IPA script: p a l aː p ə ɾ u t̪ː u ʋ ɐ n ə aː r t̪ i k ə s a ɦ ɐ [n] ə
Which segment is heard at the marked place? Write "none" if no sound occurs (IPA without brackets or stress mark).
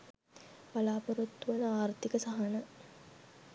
n